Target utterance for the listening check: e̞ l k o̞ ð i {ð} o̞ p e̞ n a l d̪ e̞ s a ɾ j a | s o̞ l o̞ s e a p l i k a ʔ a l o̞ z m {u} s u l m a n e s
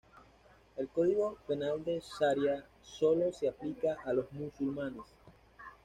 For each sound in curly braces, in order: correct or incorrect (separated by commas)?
incorrect, correct